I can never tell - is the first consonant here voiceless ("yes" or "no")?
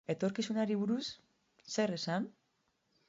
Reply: yes